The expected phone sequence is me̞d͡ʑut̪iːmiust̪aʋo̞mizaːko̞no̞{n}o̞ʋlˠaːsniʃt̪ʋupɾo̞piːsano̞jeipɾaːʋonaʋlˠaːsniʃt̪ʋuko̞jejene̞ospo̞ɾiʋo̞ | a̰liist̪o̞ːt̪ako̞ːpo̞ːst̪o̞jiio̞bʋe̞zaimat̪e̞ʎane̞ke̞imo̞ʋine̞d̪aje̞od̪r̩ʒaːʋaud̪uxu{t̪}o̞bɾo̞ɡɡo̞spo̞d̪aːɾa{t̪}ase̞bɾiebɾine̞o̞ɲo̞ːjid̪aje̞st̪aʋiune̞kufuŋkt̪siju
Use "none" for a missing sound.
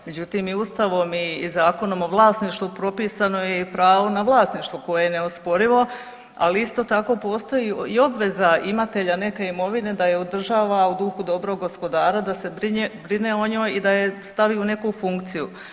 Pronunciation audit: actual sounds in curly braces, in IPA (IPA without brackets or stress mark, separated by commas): m, d̪, d̪